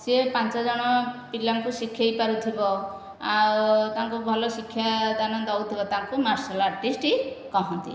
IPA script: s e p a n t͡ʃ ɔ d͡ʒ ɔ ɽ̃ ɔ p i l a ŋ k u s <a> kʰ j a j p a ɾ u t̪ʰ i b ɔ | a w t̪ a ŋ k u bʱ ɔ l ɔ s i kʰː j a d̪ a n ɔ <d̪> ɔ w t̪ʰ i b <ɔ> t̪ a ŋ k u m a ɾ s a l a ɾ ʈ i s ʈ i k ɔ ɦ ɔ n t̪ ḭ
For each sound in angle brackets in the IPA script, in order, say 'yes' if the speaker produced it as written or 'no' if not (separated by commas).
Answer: no, yes, yes